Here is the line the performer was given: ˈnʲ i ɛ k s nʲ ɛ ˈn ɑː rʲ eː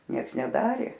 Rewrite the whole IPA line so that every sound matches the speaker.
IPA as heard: ˈnʲ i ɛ k s nʲ ɛ ˈd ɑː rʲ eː